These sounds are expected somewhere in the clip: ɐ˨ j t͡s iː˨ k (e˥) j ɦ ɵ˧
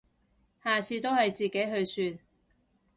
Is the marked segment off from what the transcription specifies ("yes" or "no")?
yes